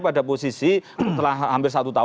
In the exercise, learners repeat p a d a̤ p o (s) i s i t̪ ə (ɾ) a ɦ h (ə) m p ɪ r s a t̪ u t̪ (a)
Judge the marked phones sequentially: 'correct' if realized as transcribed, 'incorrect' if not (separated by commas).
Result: correct, incorrect, incorrect, correct